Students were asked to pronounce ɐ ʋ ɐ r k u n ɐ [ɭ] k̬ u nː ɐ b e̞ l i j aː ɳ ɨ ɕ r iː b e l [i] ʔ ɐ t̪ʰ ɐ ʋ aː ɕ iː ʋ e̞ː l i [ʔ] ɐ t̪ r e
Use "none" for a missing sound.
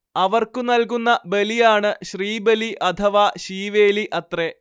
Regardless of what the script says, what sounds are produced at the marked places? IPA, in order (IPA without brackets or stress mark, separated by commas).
l, i, ʔ